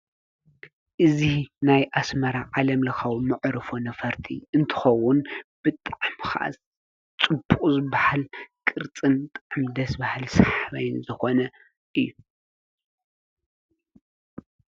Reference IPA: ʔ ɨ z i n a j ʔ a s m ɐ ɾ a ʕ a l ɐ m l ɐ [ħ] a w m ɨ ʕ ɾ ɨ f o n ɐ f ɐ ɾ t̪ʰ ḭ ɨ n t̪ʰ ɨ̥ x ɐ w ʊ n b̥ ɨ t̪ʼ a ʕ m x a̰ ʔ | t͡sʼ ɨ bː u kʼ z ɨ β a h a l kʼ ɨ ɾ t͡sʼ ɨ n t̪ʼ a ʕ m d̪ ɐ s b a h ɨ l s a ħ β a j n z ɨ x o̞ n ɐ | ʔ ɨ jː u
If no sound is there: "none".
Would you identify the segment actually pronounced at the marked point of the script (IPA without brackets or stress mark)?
x